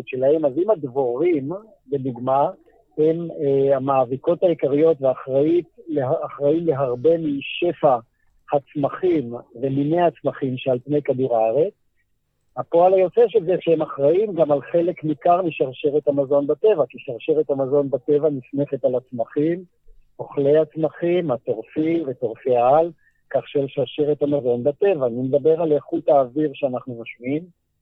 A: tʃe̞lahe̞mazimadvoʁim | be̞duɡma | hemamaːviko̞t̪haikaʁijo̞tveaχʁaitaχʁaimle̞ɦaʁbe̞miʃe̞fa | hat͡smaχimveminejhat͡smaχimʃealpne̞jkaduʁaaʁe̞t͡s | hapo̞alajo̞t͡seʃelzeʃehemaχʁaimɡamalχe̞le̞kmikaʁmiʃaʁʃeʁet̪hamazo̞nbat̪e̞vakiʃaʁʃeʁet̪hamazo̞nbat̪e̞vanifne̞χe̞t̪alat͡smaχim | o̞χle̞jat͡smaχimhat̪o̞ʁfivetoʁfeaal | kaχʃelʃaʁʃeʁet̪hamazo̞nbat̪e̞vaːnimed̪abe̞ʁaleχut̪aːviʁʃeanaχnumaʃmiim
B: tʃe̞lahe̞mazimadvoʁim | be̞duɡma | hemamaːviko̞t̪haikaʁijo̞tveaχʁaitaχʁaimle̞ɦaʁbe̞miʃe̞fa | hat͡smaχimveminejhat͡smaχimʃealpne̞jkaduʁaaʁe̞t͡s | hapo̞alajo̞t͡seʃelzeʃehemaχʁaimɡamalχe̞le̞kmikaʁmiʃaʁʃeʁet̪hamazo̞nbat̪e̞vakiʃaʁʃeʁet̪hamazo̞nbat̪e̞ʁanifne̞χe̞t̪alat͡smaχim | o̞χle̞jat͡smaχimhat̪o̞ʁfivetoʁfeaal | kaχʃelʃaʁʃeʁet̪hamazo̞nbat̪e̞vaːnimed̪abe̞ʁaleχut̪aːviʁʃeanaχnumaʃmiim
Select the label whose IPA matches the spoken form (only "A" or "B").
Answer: A